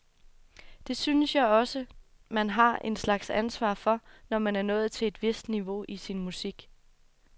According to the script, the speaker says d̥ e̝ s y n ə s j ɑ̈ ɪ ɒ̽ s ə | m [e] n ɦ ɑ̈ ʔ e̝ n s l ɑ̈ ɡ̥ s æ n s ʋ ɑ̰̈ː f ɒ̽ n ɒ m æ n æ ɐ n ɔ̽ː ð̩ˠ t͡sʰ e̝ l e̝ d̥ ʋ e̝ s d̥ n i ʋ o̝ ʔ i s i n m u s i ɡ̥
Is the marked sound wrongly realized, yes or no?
yes